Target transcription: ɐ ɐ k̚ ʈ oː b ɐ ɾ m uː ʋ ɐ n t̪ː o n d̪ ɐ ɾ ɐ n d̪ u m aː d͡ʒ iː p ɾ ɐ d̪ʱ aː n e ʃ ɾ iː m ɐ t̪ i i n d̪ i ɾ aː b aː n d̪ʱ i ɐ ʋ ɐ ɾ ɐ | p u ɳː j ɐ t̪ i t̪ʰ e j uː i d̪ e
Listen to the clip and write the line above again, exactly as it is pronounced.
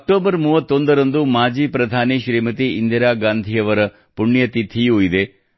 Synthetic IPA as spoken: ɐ ɐ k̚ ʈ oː b ɐ ɾ m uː ʋ ɐ t̪ː o n d̪ ɐ ɾ ɐ n d̪ u m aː d͡ʒ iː p ɾ ɐ d̪ʱ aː n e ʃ ɾ iː m ɐ t̪ i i n d̪ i ɾ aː ɡ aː n d̪ʱ i ɐ ʋ ɐ ɾ ɐ | p u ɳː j ɐ t̪ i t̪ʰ i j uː i d̪ e